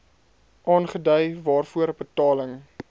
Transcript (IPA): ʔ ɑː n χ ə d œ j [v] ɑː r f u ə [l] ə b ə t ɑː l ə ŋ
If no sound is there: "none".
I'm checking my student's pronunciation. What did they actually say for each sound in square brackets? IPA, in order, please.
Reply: v, ɾ

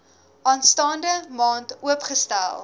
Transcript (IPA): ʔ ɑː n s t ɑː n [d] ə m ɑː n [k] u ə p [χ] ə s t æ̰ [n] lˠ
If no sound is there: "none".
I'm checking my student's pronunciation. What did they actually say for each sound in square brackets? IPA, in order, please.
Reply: d, t, χ, none

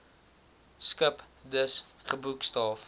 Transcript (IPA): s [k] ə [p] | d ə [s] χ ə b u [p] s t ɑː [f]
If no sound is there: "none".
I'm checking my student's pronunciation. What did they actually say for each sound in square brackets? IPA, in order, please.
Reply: k, p, s, k, f

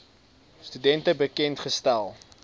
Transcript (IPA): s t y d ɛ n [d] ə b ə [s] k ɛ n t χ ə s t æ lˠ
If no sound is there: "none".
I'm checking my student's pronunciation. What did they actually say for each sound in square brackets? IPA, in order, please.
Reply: t, none

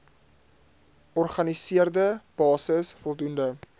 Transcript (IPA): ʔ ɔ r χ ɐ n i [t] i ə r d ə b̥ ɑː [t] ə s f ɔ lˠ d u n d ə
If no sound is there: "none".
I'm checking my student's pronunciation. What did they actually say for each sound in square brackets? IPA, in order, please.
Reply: s, s

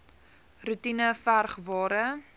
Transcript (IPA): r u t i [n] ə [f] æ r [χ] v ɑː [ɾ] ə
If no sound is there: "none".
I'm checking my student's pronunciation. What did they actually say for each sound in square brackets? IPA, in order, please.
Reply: n, f, χ, ɾ

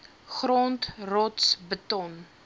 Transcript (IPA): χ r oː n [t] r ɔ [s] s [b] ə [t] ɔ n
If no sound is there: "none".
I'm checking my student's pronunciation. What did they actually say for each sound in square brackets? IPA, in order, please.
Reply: t, t, b, t

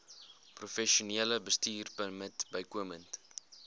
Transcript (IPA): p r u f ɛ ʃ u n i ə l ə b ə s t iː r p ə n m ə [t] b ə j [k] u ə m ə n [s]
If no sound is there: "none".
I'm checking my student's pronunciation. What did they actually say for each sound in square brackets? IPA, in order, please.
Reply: t, k, t

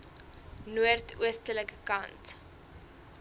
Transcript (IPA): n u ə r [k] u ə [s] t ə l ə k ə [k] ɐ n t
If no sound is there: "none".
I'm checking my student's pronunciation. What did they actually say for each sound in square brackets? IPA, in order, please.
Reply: t, s, k

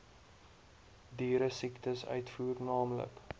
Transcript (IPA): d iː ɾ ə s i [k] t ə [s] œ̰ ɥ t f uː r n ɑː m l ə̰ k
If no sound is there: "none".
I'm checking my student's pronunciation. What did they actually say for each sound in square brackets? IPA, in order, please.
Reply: k, s

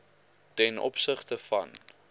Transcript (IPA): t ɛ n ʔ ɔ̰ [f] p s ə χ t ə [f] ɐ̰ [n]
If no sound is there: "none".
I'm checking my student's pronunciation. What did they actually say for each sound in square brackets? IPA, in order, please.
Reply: none, f, n

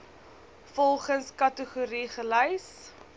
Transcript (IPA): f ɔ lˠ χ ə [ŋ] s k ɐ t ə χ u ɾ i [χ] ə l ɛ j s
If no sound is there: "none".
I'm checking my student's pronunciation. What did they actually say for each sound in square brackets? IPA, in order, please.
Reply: n, χ

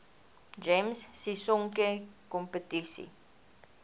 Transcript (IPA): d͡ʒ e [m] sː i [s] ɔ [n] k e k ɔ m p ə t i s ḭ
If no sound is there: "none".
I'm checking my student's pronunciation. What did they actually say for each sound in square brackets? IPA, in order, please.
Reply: m, s, ŋ

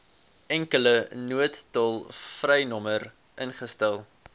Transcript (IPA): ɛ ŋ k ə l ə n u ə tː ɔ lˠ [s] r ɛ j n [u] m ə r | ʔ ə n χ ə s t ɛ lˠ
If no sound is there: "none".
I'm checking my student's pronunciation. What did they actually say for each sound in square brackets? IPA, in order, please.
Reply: f, ɔ

